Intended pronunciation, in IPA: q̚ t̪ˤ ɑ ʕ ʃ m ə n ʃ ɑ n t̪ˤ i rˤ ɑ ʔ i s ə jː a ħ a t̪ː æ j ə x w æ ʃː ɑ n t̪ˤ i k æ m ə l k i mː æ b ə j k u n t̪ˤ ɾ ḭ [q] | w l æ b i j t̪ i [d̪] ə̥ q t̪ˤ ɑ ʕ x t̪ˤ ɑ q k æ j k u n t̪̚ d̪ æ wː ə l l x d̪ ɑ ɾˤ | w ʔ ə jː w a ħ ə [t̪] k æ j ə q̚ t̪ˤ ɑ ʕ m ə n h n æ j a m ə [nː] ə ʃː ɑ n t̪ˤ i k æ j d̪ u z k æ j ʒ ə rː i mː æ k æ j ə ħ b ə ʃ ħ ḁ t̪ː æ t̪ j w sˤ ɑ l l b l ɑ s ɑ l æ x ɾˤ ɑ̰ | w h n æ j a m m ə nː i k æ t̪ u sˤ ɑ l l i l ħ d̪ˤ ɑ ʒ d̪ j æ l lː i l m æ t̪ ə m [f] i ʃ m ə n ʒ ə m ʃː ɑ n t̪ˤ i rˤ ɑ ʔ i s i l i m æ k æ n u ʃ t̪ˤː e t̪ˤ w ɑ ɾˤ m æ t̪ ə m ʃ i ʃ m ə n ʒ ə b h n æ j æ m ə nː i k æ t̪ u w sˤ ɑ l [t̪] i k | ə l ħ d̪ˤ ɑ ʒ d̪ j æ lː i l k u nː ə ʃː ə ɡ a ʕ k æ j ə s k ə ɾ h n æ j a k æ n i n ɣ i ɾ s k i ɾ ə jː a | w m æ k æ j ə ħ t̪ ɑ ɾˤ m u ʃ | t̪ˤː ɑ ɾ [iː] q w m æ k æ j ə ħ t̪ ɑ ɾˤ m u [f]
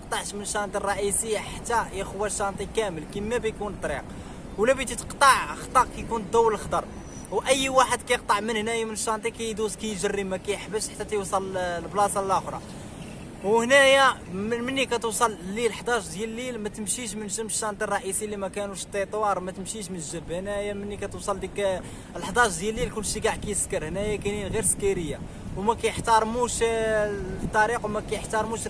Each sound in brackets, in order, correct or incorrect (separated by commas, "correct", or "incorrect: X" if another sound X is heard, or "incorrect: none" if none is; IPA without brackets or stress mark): correct, incorrect: t̪, incorrect: d̪, incorrect: n, incorrect: ʃ, incorrect: d̪, incorrect: i, incorrect: ʃ